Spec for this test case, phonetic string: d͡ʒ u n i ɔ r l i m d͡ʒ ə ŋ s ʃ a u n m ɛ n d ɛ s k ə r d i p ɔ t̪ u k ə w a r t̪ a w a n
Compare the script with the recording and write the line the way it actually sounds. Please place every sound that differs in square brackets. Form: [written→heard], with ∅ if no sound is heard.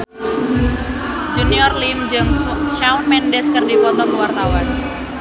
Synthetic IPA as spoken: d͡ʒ u n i ɔ r l i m d͡ʒ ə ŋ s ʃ a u n m ɛ n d ɛ s k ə r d i p ɔ t̪ [u→ɔ] k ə w a r t̪ a w a n

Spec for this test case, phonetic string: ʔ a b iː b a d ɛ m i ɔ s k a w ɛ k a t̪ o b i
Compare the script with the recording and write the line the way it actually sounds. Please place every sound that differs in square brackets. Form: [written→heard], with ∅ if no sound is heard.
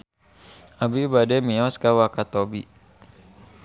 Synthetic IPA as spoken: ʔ a b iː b a d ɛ m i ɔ s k a w [ɛ→a] k a t̪ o b i

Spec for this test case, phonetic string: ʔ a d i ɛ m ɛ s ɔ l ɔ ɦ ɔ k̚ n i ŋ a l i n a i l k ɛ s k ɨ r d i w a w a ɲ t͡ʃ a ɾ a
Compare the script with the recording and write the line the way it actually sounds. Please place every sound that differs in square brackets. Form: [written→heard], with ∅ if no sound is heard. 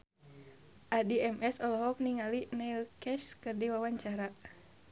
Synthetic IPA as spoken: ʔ a d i ɛ m ɛ s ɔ l ɔ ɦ ɔ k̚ n i ŋ a l i n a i l k ɛ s k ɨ r d i w a w a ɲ t͡ʃ a ɾ a

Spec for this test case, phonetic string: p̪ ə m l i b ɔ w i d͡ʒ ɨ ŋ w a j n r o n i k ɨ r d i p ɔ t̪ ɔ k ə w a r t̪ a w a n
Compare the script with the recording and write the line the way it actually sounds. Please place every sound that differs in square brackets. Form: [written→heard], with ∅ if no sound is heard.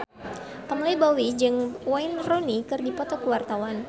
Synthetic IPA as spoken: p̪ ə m l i b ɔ w i d͡ʒ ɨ ŋ w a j n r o n i k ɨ r d i p ɔ t̪ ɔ k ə w a r t̪ a w a n

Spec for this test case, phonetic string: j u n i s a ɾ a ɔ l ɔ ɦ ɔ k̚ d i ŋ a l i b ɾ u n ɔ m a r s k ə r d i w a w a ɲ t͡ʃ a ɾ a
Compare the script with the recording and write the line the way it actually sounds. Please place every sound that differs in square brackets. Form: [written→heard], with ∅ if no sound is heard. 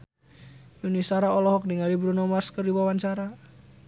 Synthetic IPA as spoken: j u n i s a ɾ a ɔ l ɔ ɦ ɔ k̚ d i ŋ a l i b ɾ u n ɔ m a r s k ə r d i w a w a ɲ t͡ʃ a ɾ a

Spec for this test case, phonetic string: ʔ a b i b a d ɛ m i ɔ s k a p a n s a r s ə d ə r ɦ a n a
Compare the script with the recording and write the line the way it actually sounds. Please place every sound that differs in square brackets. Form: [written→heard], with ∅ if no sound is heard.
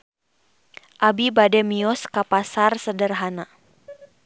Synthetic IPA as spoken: ʔ a b i b a d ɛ m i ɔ s k a p a [n→∅] s a r s ə d ə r ɦ a n a

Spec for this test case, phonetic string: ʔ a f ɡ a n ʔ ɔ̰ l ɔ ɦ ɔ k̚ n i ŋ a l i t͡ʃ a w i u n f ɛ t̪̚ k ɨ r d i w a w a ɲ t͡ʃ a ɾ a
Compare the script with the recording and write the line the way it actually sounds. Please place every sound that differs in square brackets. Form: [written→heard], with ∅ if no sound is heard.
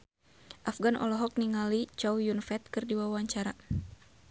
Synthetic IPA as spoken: ʔ a f ɡ a n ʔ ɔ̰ l ɔ ɦ ɔ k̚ n i ŋ a l i t͡ʃ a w [i→j] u n f ɛ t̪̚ k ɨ r d i w a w a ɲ t͡ʃ a ɾ a

